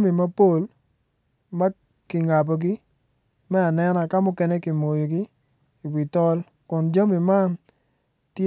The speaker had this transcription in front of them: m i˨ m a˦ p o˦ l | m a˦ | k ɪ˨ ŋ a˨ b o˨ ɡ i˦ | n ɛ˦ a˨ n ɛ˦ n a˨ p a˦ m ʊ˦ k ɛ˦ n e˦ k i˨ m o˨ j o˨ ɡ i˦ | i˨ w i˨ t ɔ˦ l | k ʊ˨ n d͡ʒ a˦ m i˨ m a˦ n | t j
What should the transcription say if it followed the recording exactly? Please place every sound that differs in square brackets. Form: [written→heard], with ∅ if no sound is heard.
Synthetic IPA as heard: m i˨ m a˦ p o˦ l | m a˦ | k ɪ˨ ŋ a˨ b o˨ ɡ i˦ | [n→m] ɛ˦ a˨ n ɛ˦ n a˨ [p→k] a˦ m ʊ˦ k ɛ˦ n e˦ k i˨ m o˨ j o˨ ɡ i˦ | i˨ w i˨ t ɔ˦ l | k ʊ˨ n d͡ʒ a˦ m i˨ m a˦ n | t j